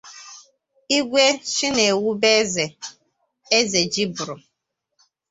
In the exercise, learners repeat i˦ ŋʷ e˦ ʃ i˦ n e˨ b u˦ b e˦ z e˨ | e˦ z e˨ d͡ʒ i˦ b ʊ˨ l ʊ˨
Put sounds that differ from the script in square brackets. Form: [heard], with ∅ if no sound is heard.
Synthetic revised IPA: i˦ [ɡʷ] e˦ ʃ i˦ n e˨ [w] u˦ b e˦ z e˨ | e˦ z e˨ d͡ʒ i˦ b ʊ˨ [ɾ] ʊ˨